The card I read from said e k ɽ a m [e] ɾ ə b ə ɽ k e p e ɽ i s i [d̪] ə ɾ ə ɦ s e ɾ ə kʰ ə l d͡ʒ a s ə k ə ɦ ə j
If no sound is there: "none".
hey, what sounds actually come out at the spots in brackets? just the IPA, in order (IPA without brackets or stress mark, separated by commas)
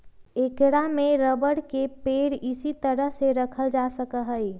e, t̪